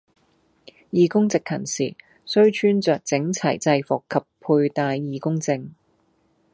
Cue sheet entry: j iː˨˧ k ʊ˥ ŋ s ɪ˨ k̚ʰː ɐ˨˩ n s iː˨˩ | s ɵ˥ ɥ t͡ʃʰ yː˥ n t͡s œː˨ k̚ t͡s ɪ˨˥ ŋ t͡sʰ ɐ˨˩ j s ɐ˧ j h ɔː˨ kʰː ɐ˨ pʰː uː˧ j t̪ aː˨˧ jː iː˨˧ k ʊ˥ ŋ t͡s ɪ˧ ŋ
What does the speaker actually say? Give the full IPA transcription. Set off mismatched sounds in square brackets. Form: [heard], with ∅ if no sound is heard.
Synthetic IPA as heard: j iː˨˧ k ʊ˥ ŋ [t͡s] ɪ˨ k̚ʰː ɐ˨˩ n s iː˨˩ | s ɵ˥ ɥ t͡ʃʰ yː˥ n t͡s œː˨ k̚ t͡s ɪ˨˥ ŋ t͡sʰ ɐ˨˩ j [t͡s] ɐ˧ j [f] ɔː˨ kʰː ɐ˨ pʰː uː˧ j t̪ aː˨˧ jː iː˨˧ k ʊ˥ ŋ t͡s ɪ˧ ŋ